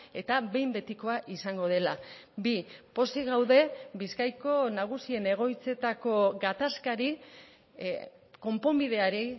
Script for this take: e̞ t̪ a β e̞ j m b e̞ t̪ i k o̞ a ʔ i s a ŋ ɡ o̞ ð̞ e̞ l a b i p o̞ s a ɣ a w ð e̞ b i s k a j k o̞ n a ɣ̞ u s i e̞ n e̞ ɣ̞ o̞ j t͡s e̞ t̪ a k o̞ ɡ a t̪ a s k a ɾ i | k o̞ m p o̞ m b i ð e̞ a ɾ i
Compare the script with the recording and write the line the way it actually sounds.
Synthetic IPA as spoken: e̞ t̪ a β e̞ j m b e̞ t̪ i k o̞ a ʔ i s a ŋ ɡ o̞ ð̞ e̞ l a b i p o̞ s i ɣ a w ð e̞ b i s k a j k o̞ n a ɣ̞ u s i e̞ n e̞ ɣ̞ o̞ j t͡s e̞ t̪ a k o̞ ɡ a t̪ a s k a ɾ i | k o̞ m p o̞ m b i ð e̞ a ɾ i

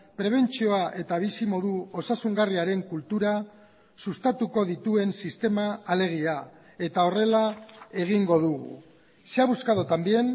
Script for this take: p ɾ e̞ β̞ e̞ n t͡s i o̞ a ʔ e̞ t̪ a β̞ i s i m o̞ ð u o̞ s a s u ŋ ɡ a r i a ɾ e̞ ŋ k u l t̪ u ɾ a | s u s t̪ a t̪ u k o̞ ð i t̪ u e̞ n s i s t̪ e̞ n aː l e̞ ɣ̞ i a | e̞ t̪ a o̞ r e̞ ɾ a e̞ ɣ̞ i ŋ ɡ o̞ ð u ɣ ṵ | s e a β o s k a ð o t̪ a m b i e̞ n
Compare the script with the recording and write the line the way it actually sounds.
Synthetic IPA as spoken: p ɾ e̞ β̞ e̞ n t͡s i o̞ a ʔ e̞ t̪ a β̞ i s i m o̞ ð u o̞ s a s u ŋ ɡ a r i a ɾ e̞ ŋ k u l t̪ u ɾ a | s u s t̪ a t̪ u k o̞ ð i t̪ u e̞ n s i s t̪ e̞ m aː l e̞ ɣ̞ i a | e̞ t̪ a o̞ r e̞ l a e̞ ɣ̞ i ŋ ɡ o̞ ð u ɣ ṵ | s e a β u s k a ð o t̪ a m b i e̞ n

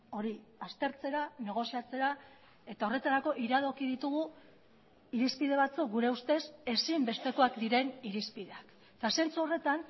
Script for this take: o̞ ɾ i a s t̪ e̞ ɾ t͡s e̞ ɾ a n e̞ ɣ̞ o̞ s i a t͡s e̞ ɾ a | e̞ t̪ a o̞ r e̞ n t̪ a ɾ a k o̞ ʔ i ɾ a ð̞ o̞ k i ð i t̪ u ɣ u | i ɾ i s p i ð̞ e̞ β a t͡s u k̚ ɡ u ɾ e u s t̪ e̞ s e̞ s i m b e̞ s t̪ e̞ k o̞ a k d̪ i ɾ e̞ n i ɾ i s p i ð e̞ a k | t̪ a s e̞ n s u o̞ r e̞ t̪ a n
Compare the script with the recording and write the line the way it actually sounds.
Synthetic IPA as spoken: o̞ ɾ i a s t̪ e̞ ɾ t͡s e̞ ɾ a n e̞ ɣ̞ o̞ s i a t͡s e̞ ɾ a | e̞ t̪ a o̞ r e̞ t̪ a ɾ a k o̞ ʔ i ɾ a ð̞ o̞ k i ð i t̪ u ɣ u | i ɾ i s p i ð̞ e̞ β a t͡s u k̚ ɡ u ɾ e u s t̪ e̞ s e̞ s i m b e̞ s t̪ e̞ k o̞ a k d̪ i ɾ e̞ n i ɾ i s p i ð e̞ a k | t̪ a s e̞ n t͡s u o̞ r e̞ t̪ a n

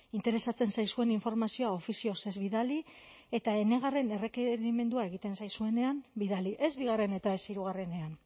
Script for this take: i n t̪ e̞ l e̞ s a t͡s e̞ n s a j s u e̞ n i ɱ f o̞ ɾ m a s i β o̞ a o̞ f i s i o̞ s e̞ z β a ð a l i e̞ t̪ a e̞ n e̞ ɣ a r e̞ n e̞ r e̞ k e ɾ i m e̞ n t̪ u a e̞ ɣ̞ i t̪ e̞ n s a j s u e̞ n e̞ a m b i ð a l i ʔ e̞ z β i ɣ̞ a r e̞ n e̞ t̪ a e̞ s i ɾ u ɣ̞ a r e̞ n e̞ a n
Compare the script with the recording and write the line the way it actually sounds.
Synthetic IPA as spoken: i n t̪ e̞ ɾ e̞ s a t͡s e̞ n s a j s u e̞ n i ɱ f o̞ ɾ m a s i o̞ a o̞ f i s i o̞ s e̞ z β i ð a l i e̞ t̪ a e̞ n e̞ ɣ a r e̞ n e̞ r e̞ k e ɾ i m e̞ n d̪ u a e̞ ɣ̞ i t̪ e̞ n s a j s u e̞ n e̞ a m b i ð a l i ʔ e̞ z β i ɣ̞ a r e̞ n e̞ t̪ a e̞ s i ɾ u ɣ̞ a r e̞ n e̞ a n

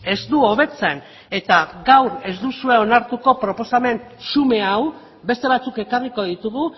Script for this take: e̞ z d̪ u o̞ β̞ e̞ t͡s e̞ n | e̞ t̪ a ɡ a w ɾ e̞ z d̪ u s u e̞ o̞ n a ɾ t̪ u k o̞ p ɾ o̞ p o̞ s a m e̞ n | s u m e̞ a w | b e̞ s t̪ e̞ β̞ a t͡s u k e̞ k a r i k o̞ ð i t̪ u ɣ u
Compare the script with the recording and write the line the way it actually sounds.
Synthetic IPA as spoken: e̞ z d̪ u o̞ β̞ e̞ t͡s e̞ n | e̞ t̪ a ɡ a w ɾ e̞ z d̪ u s u e̞ o̞ n a ɾ t̪ u k o̞ p ɾ o̞ p o̞ s a m e̞ n | s u m e̞ a w | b e̞ s t̪ e̞ β̞ a t͡s u k e̞ k a r i k o̞ ð i t̪ u ɣ u

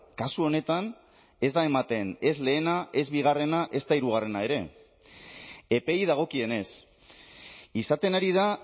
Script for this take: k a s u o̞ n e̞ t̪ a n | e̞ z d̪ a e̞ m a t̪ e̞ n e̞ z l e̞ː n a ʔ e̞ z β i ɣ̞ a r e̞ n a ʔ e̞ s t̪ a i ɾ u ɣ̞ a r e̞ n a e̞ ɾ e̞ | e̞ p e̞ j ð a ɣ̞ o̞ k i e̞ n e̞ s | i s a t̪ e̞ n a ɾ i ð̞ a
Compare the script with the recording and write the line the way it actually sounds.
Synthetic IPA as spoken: k a s u o̞ n e̞ t̪ a n | e̞ z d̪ a e̞ m a t̪ e̞ n e̞ z l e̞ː n a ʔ e̞ z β i ɣ̞ a r e̞ n a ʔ e̞ s t̪ a i ɾ u ɣ̞ a r e̞ n a e̞ ɾ e̞ | e̞ p e̞ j ð a ɣ̞ o̞ k i e̞ n e̞ s | i s a t̪ e̞ n a ɾ i ð̞ a

